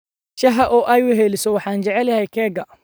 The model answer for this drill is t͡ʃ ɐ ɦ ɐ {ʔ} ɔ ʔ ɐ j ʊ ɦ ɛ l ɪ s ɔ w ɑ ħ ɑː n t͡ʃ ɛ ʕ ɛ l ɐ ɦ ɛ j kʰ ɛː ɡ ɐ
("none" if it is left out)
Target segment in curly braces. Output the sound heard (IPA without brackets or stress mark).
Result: ʔ